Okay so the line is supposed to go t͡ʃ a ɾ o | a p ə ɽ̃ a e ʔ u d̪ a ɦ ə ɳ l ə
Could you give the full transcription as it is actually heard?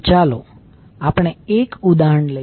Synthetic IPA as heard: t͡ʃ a l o | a p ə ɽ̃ e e k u d̪ a ɦ ə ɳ l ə